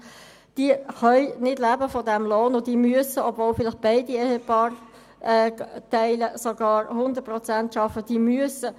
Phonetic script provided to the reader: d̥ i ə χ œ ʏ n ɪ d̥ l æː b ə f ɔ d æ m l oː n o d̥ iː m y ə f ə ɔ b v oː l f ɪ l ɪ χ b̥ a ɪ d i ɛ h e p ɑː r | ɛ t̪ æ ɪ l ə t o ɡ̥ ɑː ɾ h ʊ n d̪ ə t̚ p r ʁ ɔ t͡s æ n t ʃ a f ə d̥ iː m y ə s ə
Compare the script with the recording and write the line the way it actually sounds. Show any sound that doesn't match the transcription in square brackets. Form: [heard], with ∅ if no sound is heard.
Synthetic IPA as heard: d̥ i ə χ œ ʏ n ɪ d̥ l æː b ə f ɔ d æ m l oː n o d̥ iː m y ə [s] ə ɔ b v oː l f ɪ l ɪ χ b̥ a ɪ d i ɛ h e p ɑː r | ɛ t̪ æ ɪ l ə [s] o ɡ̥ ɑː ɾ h ʊ n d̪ ə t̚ p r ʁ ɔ t͡s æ n t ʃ [ɑ] f ə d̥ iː m y ə s ə

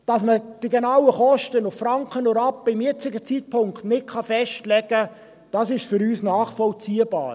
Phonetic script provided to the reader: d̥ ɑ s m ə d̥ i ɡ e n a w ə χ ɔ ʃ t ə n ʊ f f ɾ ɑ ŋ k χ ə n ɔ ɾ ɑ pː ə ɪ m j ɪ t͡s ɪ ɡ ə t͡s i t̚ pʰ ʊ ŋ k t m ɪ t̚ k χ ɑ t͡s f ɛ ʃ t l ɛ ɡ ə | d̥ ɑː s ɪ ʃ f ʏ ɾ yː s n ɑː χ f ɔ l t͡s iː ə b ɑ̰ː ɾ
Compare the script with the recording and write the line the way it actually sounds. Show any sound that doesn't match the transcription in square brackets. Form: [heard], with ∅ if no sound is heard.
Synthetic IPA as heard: d̥ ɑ s m ə d̥ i ɡ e n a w ə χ ɔ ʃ t ə n ʊ f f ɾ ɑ ŋ k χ ə n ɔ ɾ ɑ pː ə ɪ m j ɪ t͡s ɪ ɡ ə t͡s i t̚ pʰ ʊ ŋ k t [n] ɪ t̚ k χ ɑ [∅] f ɛ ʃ t l ɛ ɡ ə | d̥ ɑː s ɪ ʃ f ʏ ɾ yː s n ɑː χ f ɔ l t͡s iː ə b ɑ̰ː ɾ

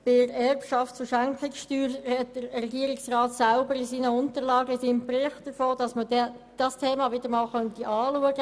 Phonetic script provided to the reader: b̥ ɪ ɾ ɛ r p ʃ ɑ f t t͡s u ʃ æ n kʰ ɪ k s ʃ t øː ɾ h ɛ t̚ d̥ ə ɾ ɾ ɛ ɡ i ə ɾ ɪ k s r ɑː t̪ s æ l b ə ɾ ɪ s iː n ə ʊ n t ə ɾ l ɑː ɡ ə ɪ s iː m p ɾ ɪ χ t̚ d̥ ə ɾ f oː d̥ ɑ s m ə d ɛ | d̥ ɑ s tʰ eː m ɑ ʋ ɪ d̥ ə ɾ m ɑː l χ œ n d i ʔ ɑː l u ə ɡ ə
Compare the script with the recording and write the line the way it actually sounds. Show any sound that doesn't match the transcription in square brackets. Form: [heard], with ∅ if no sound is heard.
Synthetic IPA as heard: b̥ ɪ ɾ ɛ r p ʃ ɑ f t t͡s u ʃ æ [ŋ] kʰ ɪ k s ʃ t [yː] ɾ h ɛ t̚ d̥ ə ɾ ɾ ɛ ɡ i ə ɾ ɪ k s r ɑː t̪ s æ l b ə ɾ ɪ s iː n ə ʊ n t ə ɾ l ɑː ɡ ə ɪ s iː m p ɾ ɪ χ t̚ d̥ ə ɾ f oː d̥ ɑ s m ə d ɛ | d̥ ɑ s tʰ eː m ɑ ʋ ɪ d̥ ə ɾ m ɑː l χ œ n [t] i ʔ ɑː l u ə ɡ ə

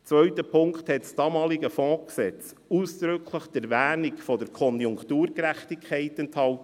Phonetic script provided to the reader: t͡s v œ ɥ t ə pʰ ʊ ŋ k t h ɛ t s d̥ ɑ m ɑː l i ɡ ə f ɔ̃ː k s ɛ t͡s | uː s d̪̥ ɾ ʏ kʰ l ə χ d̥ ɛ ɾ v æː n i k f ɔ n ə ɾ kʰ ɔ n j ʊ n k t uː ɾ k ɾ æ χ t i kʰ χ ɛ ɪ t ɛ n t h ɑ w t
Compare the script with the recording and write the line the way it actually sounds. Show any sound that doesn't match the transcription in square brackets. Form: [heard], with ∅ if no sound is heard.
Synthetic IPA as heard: t͡s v œ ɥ t ə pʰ ʊ ŋ k t h ɛ t s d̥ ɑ m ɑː l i ɡ ə f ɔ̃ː k s ɛ t͡s | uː s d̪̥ ɾ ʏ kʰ l ə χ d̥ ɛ ɾ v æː n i k f ɔ [d] ə ɾ kʰ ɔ n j ʊ [ŋ] k t uː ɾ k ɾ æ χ t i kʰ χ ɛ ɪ t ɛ n t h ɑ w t

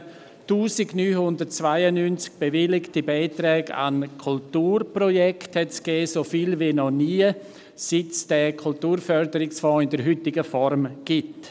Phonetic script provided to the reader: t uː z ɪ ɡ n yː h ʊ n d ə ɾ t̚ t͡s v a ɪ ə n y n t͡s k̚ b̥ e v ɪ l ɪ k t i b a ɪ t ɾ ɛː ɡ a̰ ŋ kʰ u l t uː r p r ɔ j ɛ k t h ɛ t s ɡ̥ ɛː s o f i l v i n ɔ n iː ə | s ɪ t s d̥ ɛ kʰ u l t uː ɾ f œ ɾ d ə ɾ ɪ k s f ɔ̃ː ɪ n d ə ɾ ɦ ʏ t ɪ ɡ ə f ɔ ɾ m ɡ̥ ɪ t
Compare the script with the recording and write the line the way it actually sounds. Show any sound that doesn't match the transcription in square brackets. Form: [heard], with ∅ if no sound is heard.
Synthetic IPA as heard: t uː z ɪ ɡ n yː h ʊ n d ə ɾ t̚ t͡s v a ɪ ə n y n t͡s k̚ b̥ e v ɪ l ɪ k t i b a ɪ t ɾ ɛː ɡ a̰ [n] kʰ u l t uː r p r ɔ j ɛ k t h ɛ t s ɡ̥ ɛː s o f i l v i n ɔ n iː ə | s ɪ t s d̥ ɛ kʰ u l t uː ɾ f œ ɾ d ə ɾ ɪ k s f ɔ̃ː ɪ n d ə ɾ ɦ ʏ t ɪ ɡ ə f ɔ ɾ m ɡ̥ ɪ t

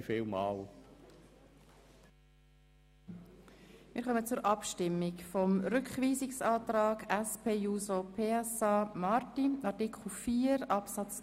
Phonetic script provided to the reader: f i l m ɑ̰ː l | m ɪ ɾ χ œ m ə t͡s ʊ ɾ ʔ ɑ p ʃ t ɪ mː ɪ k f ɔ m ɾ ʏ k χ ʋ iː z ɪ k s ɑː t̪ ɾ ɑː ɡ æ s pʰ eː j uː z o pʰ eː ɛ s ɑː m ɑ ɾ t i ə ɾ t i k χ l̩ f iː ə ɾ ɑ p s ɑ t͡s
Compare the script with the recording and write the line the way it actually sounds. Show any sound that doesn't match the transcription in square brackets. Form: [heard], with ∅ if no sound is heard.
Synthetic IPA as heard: f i l m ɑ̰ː l | m ɪ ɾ χ œ m ə t͡s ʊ ɾ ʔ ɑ p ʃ t ɪ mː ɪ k f ɔ m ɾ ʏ k χ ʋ iː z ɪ k s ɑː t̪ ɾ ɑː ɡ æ s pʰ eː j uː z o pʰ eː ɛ s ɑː m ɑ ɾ t i [ɑ] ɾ t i k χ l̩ f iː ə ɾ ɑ p s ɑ t͡s

